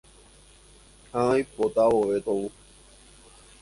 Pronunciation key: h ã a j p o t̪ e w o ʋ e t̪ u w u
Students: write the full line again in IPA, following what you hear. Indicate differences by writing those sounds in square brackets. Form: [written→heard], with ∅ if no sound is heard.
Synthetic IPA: h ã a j p o t̪ [e→a] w o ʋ e t̪ [u→o] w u

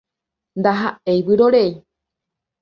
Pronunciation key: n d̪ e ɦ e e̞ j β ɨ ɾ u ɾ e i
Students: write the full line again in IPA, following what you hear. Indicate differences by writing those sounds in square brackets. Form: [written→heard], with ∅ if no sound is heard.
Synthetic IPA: n d̪ [e→a] ɦ [e→a] e̞ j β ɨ ɾ [u→o] ɾ e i

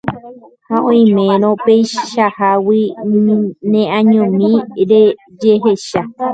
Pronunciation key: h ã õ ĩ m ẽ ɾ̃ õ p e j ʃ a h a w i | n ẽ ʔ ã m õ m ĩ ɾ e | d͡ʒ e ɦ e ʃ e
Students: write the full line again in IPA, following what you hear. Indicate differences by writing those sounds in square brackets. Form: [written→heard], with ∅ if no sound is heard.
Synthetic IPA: h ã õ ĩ m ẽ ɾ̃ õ p e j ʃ a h a w i | n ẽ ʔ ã [m→ɲ] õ m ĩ ɾ e | d͡ʒ e ɦ e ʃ [e→a]

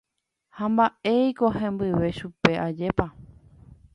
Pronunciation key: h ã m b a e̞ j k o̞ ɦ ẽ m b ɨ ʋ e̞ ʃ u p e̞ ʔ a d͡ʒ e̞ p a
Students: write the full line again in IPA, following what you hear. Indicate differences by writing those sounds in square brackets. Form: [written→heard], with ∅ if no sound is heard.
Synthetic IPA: h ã m b a e̞ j k o̞ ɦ ẽ m b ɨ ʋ e̞ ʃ u p e̞ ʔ a d͡ʒ e̞ p a

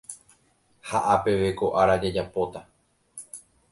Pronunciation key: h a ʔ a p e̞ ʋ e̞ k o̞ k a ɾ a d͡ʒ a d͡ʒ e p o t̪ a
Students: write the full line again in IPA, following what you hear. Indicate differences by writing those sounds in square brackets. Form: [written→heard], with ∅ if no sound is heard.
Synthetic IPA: h a ʔ a p e̞ ʋ e̞ k o̞ [k→ʔ] a ɾ a d͡ʒ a d͡ʒ [e→a] p o t̪ a

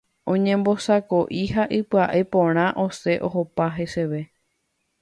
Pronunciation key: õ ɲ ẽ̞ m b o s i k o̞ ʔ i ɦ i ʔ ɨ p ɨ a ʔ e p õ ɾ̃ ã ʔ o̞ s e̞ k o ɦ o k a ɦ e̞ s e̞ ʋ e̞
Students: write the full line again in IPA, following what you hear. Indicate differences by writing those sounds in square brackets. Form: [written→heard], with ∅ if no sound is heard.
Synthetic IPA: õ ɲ ẽ̞ m b o s [i→a] k o̞ ʔ i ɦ [i→a] ʔ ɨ p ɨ a ʔ e p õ ɾ̃ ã ʔ o̞ s e̞ [k→ʔ] o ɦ o [k→p] a ɦ e̞ s e̞ ʋ e̞

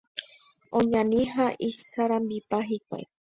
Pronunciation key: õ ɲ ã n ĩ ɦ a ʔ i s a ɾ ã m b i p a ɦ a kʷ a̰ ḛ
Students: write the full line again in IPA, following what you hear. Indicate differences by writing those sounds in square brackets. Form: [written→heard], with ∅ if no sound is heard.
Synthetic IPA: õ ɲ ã n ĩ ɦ a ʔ i s a ɾ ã m b i p a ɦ [a→i] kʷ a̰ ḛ

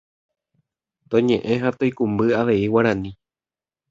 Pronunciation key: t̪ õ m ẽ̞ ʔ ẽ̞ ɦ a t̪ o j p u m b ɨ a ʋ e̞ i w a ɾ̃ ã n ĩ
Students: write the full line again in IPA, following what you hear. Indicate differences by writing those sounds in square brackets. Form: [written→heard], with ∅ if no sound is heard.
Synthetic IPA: t̪ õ [m→ɲ] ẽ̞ ʔ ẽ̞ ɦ a t̪ o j [p→k] u m b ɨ a ʋ e̞ i w a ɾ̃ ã n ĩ

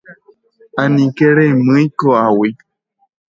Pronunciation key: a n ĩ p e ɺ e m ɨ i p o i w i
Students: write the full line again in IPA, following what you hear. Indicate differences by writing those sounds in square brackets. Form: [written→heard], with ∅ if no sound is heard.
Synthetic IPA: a n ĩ [p→k] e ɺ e m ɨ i [p→k] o [i→a] w i

